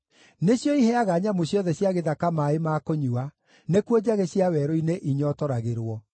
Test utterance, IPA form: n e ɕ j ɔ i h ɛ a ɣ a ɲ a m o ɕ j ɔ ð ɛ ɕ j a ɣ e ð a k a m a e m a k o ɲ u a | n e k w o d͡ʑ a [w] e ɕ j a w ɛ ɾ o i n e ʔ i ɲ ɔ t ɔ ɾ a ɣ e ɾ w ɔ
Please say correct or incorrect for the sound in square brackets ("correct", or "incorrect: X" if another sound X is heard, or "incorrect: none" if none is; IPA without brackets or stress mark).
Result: incorrect: ɣ